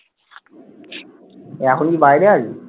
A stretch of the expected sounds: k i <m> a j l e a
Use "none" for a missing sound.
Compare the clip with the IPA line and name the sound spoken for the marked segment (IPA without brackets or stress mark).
b